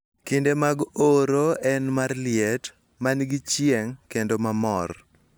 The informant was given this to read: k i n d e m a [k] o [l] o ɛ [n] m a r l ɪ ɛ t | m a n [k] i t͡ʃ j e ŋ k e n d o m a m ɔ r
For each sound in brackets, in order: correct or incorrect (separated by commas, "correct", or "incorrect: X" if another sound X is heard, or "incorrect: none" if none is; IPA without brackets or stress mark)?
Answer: incorrect: ɡ, incorrect: ɾ, correct, incorrect: ɡ